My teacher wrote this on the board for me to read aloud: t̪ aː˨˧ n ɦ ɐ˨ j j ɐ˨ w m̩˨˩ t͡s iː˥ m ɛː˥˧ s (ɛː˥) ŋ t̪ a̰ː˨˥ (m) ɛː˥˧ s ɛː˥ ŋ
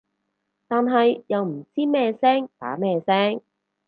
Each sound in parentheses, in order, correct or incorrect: correct, correct

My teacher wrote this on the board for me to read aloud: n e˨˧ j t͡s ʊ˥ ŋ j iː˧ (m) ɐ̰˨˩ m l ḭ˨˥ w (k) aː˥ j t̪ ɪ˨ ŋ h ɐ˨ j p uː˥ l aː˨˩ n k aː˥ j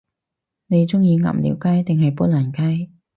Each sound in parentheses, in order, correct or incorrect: incorrect: ŋ, correct

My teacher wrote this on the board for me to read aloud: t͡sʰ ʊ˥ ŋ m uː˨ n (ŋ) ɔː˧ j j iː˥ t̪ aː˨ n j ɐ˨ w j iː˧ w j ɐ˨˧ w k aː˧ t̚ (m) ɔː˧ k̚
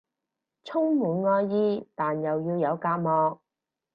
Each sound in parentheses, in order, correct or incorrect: correct, correct

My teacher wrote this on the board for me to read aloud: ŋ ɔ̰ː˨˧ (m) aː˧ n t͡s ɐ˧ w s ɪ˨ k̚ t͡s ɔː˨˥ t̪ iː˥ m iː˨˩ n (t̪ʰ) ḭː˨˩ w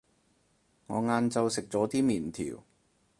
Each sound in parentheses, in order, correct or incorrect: incorrect: ŋ, correct

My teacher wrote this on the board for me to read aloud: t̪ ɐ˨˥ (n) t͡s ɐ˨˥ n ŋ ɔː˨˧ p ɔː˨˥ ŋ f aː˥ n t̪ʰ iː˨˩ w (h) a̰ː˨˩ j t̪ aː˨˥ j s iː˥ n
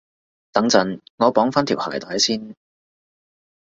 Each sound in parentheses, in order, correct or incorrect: incorrect: ŋ, correct

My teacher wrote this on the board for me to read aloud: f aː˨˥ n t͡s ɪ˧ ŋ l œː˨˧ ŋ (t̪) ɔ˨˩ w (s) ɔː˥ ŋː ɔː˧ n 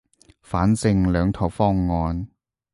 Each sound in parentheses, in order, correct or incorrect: incorrect: t̪ʰ, incorrect: f

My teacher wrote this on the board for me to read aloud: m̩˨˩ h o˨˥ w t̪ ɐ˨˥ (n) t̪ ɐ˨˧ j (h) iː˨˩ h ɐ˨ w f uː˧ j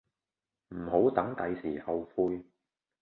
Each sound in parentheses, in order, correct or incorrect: incorrect: ŋ, incorrect: s

